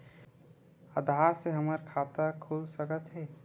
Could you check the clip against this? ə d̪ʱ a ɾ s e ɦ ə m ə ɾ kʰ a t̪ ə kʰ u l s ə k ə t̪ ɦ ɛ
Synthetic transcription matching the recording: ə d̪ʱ a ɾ s e ɦ ə m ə ɾ kʰ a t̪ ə kʰ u l s ə k ə t̪ ɦ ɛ